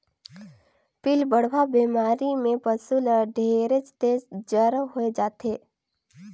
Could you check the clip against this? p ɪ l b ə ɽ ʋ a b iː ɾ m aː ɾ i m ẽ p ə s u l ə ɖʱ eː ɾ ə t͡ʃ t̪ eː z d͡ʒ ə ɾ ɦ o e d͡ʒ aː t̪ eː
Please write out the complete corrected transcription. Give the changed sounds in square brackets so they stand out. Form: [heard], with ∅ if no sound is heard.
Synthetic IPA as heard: p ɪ l b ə ɽ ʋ a b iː [∅] m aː ɾ i m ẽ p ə s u l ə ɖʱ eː ɾ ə t͡ʃ t̪ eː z d͡ʒ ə ɾ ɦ o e d͡ʒ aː t̪ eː